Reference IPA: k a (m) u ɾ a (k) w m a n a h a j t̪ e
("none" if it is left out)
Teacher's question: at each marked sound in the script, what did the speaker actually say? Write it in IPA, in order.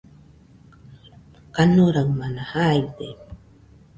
n, none

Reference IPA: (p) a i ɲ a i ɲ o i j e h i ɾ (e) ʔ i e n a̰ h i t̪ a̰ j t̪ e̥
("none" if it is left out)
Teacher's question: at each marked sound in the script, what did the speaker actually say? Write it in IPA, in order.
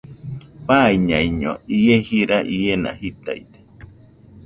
p, a

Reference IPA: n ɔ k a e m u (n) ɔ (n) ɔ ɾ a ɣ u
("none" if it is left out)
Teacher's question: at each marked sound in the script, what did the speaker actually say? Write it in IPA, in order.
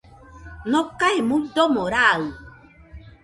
d, m

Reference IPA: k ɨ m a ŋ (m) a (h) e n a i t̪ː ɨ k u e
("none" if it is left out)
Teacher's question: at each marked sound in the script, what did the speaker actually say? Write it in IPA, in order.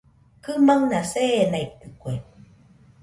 n, s

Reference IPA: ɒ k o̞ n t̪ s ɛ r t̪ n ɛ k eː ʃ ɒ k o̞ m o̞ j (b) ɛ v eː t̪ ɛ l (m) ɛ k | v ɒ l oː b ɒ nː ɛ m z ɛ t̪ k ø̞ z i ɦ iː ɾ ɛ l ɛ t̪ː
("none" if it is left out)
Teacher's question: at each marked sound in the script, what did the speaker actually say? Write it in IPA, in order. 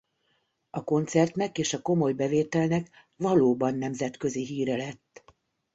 b, n

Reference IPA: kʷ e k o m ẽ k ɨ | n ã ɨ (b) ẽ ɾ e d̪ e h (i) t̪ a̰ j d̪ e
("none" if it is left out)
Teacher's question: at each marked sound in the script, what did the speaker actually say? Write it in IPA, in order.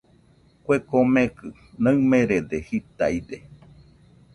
m, i

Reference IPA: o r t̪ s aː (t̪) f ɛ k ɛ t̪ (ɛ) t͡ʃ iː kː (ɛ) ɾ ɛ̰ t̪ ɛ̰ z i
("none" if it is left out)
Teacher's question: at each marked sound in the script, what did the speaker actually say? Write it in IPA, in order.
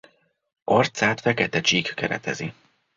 t̪, ɛ, ɛ

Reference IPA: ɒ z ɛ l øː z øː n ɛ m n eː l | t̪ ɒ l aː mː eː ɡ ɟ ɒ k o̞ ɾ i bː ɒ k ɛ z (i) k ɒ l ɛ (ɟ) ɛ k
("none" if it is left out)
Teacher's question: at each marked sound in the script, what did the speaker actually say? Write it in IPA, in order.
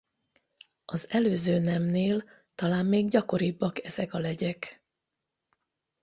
ɛ, ɟ

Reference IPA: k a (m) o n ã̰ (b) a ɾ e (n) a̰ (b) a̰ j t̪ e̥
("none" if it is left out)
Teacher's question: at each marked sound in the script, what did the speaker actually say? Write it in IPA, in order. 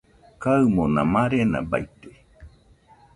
m, m, n, b

